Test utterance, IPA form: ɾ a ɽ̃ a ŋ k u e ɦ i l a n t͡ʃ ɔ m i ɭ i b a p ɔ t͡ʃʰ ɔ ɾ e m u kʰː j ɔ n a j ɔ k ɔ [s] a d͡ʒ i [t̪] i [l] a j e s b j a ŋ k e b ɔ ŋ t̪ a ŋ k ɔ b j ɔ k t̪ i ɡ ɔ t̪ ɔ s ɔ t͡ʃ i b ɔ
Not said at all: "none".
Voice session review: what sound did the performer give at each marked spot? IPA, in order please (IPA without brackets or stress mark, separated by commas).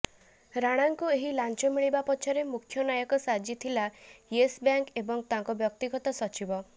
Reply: s, t̪ʰ, l